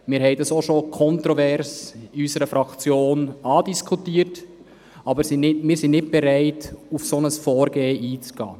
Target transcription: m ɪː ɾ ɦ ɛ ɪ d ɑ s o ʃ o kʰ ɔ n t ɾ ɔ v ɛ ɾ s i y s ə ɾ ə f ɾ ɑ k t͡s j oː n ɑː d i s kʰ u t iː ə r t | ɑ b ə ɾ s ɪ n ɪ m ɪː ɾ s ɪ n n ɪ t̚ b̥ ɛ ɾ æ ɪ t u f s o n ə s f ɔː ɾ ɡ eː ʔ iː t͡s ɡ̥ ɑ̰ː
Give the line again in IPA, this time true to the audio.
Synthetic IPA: m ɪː ɾ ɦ ɛ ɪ d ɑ s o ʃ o kʰ ɔ n t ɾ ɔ v ɛ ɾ s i y s ə ɾ ə f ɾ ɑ k t͡s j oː n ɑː d i s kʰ u t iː ə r t | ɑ b ə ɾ s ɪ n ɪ m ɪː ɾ s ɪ n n ɪ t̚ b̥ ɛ ɾ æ ɪ t u f s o n ə s f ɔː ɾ ɡ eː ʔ iː t͡s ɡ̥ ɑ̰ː